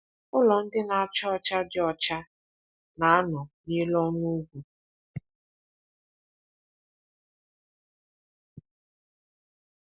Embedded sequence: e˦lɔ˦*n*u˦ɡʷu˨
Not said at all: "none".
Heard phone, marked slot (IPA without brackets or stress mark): n